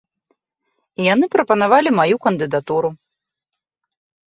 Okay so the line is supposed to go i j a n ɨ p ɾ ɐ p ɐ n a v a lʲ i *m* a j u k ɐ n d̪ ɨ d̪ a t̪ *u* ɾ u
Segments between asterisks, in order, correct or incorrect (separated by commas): correct, correct